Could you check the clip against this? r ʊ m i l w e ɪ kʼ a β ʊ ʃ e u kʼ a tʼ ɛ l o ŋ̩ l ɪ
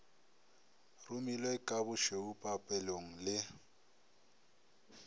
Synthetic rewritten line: r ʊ m i l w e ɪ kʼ a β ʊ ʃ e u pʼ a pʼ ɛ l o ŋ̩ l ɪ